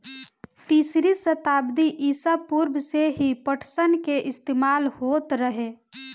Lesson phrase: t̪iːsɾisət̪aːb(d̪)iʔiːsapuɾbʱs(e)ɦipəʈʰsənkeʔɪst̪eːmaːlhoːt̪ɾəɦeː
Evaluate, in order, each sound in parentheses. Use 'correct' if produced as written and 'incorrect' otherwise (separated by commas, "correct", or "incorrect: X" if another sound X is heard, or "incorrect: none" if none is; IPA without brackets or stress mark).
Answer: correct, correct